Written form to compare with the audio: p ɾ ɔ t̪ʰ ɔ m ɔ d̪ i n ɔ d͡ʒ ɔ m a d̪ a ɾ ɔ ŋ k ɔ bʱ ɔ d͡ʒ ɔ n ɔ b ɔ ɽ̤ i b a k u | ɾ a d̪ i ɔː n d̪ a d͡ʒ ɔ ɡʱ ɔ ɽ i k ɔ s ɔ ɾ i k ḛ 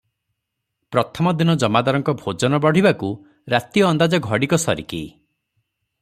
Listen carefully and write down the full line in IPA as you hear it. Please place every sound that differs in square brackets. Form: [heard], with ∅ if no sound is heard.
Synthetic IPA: p ɾ ɔ t̪ʰ ɔ m ɔ d̪ i n ɔ d͡ʒ ɔ m a d̪ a ɾ ɔ ŋ k ɔ bʱ [o] d͡ʒ ɔ n ɔ b ɔ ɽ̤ i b a k u | ɾ a [t̪] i ɔː n d̪ a d͡ʒ ɔ ɡʱ ɔ ɽ i k ɔ s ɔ ɾ i k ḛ

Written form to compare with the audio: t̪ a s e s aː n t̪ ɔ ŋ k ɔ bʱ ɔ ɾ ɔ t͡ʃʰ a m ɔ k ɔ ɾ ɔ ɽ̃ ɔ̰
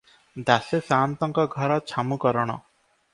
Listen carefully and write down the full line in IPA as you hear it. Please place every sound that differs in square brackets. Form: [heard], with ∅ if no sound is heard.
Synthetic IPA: [d̪] a s e s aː n t̪ ɔ ŋ k ɔ [ɡʱ] ɔ ɾ ɔ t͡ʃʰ a m [u] k ɔ ɾ ɔ ɽ̃ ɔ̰

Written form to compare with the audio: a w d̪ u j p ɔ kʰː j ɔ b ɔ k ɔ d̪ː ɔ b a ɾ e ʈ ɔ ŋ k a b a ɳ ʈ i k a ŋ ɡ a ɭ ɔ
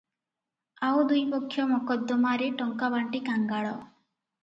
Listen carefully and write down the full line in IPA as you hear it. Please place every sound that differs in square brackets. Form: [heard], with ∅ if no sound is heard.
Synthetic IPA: a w d̪ u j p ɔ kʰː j ɔ [m] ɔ k ɔ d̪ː ɔ [m] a ɾ e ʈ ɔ ŋ k a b a ɳ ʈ i k a ŋ ɡ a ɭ ɔ

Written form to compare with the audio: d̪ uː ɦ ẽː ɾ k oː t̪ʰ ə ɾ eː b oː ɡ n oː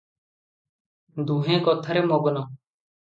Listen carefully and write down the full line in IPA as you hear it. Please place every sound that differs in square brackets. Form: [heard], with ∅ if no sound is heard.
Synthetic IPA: d̪ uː ɦ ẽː [∅] k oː t̪ʰ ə ɾ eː [m] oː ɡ n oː

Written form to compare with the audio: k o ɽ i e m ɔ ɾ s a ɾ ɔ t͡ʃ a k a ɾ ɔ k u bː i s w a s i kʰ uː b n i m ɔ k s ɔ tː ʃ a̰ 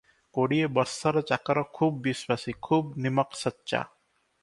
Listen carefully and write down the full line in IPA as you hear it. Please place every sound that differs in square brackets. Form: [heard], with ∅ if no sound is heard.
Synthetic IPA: k o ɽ i e [b] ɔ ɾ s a ɾ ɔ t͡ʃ a k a ɾ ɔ [kʰ] u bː i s w a s i kʰ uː b n i m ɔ k s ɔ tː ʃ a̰

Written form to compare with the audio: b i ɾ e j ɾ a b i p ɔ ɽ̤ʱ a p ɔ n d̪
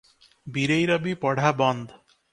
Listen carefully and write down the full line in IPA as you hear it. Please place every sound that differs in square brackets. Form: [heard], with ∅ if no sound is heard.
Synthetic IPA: b i ɾ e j ɾ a b i p ɔ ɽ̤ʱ a [b] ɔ n d̪

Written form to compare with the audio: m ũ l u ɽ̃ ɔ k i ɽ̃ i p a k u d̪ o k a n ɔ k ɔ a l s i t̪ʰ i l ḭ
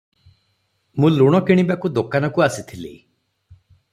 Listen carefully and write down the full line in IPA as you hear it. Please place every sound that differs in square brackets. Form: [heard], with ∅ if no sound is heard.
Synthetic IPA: m ũ l u ɽ̃ ɔ k i ɽ̃ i [b] a k u d̪ o k a n ɔ k [u] a [∅] s i t̪ʰ i l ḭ

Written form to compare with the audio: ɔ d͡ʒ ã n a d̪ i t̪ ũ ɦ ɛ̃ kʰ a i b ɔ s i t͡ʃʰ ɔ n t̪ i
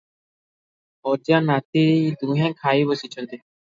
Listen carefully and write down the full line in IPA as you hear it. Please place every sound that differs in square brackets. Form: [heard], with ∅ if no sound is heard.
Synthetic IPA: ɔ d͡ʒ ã n a [t̪] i [d̪] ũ ɦ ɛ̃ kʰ a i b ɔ s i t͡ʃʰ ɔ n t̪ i

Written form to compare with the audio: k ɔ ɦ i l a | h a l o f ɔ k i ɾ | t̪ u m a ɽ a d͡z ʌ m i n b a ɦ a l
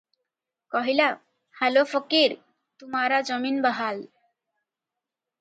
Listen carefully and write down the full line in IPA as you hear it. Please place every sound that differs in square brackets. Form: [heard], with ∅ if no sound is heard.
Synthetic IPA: k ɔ ɦ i l a | h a l o f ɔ k i ɾ | t̪ u m a [ɾ] a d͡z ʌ m i n b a ɦ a l

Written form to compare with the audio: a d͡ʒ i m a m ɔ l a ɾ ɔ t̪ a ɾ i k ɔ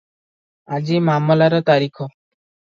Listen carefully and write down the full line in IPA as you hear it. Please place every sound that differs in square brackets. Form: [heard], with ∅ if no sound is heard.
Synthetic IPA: a d͡ʒ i m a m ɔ l a ɾ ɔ t̪ a ɾ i [kʰ] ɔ

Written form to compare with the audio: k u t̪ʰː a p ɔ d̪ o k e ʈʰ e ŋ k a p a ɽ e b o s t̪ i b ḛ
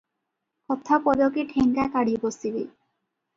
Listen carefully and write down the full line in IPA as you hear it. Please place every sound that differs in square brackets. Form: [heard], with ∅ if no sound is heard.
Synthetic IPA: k [ɔ] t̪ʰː a p ɔ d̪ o k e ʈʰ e ŋ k a [k] a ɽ [i] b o s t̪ i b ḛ

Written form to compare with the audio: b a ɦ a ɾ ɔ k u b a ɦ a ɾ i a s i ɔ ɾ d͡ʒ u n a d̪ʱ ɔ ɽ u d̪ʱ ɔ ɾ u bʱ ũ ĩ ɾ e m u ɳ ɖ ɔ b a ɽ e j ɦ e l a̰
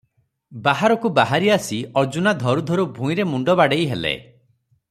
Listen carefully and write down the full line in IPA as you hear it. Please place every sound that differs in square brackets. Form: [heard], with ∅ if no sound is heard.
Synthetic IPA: b a ɦ a ɾ ɔ k u b a ɦ a ɾ i a s i ɔ ɾ d͡ʒ u n a d̪ʱ ɔ [ɾ] u d̪ʱ ɔ ɾ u bʱ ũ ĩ ɾ e m u ɳ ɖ ɔ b a ɽ e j ɦ e l [ḛ]

